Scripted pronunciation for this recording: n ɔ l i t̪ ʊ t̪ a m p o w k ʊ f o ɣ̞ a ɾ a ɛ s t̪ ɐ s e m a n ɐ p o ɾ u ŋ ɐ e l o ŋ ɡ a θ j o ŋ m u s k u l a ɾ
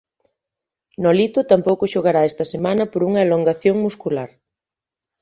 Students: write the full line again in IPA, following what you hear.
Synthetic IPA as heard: n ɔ l i t̪ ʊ t̪ a m p o w k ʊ ʃ o ɣ̞ a ɾ a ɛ s t̪ ɐ s e m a n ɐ p o ɾ u ŋ ɐ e l o ŋ ɡ a θ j o ŋ m u s k u l a ɾ